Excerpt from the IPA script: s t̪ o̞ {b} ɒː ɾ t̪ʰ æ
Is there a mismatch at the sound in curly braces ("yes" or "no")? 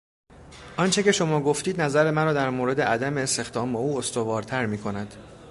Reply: yes